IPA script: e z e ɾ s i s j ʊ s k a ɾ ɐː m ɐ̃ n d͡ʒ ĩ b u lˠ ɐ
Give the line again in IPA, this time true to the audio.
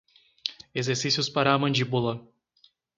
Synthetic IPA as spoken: e z e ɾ s i s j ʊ s p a ɾ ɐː m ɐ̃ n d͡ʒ i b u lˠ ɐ